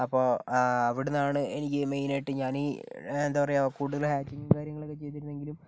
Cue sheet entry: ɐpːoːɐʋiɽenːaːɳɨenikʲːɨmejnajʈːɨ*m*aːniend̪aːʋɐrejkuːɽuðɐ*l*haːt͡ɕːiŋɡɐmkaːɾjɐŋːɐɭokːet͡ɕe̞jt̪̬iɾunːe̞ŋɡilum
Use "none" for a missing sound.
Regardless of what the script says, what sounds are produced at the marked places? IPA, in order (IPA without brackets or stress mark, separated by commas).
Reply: ɲ, l